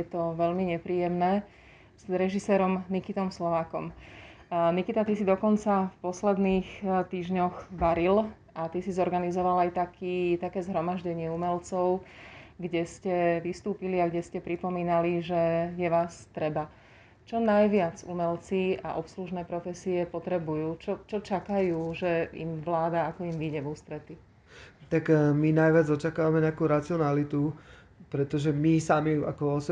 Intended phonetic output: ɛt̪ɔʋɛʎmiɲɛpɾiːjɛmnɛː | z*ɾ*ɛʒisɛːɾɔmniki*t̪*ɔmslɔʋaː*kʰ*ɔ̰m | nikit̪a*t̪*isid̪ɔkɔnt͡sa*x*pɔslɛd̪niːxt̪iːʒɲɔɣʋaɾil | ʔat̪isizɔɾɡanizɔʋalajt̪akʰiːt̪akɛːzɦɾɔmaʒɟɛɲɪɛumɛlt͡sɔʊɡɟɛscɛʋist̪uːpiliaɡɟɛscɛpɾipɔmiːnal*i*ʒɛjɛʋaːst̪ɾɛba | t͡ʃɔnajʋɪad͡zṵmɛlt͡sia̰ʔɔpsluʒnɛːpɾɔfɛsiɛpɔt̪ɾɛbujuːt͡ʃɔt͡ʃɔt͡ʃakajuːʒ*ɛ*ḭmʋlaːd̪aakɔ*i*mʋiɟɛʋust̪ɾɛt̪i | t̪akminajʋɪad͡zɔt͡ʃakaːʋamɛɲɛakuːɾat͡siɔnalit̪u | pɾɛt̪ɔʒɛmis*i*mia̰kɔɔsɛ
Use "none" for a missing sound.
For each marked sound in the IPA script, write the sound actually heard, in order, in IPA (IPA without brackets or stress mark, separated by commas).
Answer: ɾ, t̪, k, t̪, f, i, ɛ, i, a